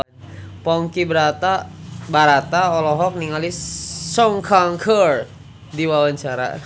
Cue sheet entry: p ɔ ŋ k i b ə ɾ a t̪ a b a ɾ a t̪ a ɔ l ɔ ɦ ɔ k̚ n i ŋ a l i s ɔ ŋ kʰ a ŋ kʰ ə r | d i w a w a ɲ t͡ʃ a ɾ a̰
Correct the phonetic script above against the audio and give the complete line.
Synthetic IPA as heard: p ɔ ŋ k i b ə ɾ a t̪ a b a ɾ a t̪ a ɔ l ɔ ɦ ɔ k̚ n i ŋ a l i s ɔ ŋ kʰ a ŋ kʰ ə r | d i w a w a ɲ t͡ʃ a ɾ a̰